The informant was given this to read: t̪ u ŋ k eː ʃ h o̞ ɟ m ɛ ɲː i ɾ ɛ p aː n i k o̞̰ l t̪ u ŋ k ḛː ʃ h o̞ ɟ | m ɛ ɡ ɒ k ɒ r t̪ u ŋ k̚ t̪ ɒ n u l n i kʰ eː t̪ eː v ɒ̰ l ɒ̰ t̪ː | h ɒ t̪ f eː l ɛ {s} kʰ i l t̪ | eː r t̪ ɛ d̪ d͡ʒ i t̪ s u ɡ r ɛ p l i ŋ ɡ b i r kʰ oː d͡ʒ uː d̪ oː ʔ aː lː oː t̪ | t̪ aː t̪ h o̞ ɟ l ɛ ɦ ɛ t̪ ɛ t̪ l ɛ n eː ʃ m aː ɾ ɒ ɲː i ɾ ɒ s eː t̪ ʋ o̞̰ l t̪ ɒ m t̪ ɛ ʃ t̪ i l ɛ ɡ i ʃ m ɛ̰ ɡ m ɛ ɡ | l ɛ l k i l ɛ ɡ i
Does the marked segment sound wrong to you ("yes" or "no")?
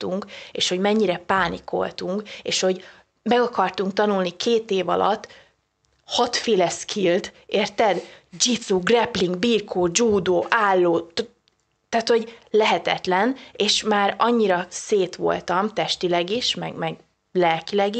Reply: no